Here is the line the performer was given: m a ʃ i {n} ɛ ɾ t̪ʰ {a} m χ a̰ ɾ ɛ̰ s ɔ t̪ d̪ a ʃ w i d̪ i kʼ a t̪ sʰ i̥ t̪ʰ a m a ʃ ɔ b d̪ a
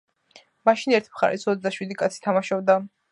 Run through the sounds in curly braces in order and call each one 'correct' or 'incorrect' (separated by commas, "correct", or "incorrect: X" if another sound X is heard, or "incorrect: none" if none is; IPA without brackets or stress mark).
correct, incorrect: i